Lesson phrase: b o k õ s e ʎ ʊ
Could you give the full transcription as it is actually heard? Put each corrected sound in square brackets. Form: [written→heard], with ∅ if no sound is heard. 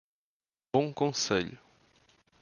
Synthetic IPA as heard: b [o→õ] k õ s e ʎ ʊ